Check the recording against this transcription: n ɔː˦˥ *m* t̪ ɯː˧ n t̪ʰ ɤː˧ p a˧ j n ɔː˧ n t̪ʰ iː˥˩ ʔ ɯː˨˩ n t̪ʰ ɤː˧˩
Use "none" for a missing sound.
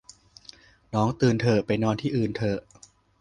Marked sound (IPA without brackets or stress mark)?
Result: ŋ